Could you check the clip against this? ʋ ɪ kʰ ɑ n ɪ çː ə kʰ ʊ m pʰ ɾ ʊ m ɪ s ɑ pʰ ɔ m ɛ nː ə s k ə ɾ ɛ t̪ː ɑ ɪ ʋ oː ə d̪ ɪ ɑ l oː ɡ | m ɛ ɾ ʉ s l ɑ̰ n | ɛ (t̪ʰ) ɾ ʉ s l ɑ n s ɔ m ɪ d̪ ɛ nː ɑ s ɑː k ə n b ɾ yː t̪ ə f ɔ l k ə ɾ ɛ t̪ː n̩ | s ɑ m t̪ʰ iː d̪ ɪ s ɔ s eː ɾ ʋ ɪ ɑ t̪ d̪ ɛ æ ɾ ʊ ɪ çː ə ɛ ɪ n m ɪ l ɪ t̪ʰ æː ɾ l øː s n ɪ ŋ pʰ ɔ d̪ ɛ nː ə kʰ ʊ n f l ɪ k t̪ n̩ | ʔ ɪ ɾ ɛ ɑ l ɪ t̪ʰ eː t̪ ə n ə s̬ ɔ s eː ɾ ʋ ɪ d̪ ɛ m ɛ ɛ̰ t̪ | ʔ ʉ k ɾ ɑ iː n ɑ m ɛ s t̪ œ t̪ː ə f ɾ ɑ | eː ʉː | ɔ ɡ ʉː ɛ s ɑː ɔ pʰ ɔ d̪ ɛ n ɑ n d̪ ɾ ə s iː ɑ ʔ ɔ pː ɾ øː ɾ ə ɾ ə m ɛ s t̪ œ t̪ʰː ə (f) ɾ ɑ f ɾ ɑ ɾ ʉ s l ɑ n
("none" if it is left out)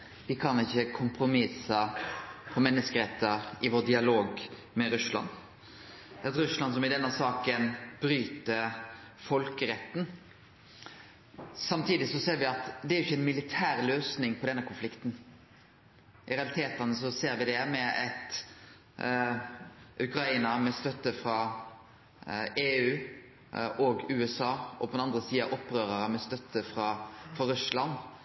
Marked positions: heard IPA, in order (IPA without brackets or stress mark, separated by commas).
t̪, f